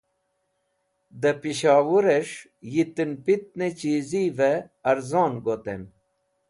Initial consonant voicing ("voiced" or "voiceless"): voiced